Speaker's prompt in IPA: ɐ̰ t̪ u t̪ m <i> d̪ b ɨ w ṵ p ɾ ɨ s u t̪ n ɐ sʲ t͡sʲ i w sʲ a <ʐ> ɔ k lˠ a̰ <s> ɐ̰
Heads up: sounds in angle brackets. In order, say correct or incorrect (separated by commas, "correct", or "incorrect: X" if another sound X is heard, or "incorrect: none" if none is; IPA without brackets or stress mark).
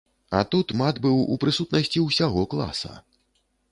incorrect: a, incorrect: ɣ, correct